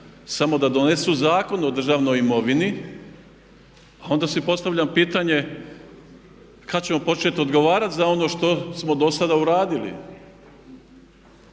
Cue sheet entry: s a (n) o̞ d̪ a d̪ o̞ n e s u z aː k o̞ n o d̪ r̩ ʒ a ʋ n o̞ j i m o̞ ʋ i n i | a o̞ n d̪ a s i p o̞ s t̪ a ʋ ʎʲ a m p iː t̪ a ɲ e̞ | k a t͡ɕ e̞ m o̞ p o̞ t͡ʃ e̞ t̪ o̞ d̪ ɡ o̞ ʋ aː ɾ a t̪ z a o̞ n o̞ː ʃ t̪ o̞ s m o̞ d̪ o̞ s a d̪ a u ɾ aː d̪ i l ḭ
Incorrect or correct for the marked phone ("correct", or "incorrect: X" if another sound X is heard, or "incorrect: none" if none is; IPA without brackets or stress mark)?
incorrect: m